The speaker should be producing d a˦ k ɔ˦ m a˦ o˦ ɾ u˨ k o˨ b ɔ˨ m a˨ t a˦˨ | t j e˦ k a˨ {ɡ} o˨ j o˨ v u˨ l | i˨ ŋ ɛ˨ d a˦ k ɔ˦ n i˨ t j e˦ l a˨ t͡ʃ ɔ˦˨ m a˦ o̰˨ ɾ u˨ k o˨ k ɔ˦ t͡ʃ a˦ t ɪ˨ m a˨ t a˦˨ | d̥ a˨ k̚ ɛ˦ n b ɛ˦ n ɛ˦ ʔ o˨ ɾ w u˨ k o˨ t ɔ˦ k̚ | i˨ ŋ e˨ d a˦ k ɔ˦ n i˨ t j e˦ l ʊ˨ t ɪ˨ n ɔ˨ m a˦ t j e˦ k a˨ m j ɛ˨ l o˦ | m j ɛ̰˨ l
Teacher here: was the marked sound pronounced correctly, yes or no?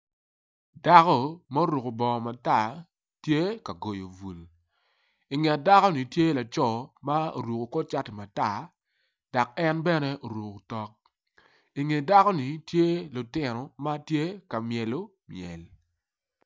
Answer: yes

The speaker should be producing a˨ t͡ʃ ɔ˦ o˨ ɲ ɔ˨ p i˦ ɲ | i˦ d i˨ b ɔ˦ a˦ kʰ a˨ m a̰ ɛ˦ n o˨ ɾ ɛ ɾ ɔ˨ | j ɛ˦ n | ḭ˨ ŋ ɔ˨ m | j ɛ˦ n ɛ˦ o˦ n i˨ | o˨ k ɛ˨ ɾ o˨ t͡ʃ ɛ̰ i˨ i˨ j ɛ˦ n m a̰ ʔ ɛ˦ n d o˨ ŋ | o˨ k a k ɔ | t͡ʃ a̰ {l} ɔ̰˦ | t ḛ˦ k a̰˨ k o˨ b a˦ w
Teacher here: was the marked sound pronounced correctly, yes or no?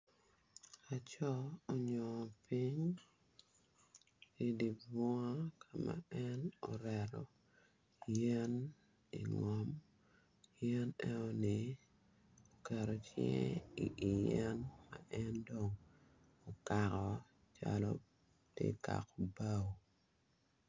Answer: yes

